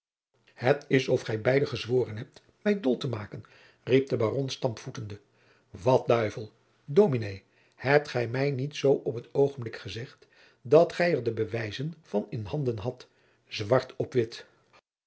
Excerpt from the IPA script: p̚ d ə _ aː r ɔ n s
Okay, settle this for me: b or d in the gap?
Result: b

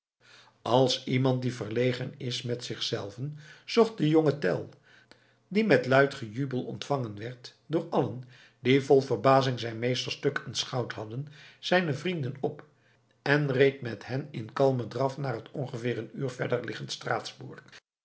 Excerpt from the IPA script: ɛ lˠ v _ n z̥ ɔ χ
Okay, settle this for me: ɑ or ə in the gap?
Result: ə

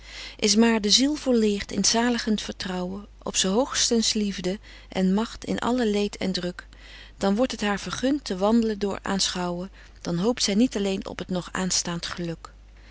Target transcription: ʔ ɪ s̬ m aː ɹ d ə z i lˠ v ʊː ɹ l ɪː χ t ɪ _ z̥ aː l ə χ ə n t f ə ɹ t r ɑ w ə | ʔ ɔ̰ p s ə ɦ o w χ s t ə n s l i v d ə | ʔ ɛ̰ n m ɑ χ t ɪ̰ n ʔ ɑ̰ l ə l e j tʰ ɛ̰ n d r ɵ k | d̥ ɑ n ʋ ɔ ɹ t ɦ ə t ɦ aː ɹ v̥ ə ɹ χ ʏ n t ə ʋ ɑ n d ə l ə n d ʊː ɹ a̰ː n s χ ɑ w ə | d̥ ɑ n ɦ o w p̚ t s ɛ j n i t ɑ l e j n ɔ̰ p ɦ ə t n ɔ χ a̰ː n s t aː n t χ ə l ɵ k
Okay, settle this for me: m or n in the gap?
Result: n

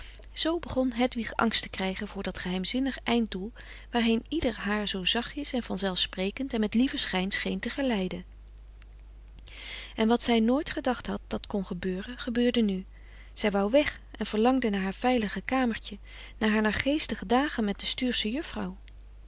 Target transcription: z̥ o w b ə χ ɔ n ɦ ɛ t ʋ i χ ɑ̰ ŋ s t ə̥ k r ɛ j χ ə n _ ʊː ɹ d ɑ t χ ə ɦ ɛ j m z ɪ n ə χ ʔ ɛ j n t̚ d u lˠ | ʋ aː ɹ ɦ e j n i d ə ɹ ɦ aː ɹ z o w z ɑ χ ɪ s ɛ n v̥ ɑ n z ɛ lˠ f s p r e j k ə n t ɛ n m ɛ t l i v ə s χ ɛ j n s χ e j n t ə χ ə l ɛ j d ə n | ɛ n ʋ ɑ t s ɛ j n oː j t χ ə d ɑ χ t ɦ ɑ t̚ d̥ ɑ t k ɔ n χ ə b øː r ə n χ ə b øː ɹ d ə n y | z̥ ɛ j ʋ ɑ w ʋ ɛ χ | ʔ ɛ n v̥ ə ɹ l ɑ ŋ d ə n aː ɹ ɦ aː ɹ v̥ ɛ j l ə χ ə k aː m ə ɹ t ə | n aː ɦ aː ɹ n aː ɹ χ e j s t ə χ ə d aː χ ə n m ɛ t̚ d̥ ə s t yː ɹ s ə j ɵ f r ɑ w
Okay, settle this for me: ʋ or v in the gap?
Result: v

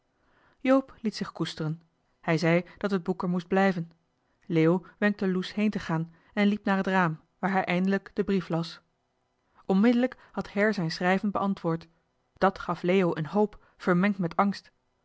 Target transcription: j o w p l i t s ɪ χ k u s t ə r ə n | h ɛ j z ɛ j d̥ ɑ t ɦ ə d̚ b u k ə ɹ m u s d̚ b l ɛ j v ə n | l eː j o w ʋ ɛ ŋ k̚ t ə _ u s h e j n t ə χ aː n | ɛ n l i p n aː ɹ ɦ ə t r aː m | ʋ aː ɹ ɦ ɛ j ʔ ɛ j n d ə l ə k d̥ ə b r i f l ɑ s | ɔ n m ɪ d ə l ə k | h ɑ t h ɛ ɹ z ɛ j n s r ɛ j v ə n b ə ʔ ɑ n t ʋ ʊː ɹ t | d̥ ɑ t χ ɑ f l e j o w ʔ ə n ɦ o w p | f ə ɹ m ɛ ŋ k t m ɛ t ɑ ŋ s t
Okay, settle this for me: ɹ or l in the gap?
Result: l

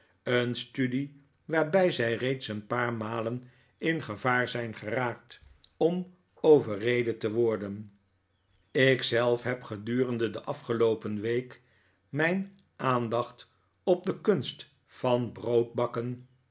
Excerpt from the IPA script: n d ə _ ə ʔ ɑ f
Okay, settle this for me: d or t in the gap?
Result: d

